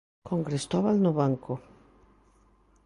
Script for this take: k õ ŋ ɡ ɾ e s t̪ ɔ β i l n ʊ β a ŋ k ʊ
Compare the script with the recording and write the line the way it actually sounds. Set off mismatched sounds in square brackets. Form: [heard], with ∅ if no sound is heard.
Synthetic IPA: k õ ŋ ɡ ɾ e s t̪ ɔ β [a] l n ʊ β a ŋ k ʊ